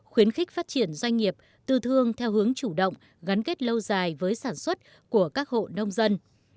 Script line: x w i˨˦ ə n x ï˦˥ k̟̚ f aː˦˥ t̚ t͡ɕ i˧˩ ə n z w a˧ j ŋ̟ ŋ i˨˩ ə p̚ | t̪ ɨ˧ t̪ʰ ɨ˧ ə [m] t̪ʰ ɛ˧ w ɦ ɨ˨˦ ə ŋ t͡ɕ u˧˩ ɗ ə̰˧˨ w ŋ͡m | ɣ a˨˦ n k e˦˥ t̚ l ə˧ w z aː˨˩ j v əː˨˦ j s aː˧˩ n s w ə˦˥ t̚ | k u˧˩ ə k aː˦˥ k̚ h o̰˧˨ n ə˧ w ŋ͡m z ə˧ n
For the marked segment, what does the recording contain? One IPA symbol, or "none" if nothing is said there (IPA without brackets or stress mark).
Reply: ŋ